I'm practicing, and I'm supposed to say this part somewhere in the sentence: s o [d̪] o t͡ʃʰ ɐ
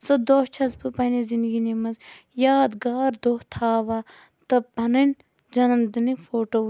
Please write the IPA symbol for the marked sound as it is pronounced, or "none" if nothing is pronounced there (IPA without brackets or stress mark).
d̪